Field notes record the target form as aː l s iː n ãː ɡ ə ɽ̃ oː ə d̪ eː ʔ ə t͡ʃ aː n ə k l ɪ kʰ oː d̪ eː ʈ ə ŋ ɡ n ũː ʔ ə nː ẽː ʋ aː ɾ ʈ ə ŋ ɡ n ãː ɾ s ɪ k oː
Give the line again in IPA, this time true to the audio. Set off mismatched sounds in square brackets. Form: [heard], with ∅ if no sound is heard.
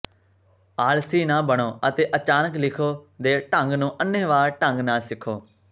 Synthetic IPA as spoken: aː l s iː n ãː [b] ə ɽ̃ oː ə [t̪] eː ʔ ə t͡ʃ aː n ə k l ɪ kʰ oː d̪ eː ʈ ə ŋ ɡ n ũː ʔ ə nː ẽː ʋ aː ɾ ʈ ə ŋ ɡ n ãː [∅] s ɪ [kʰ] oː